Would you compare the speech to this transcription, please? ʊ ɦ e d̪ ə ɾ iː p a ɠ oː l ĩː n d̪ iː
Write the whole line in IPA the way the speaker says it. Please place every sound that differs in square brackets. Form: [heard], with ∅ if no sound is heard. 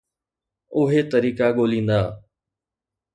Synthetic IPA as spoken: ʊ ɦ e [t̪] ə ɾ iː [k] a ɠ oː l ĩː n d̪ [aː]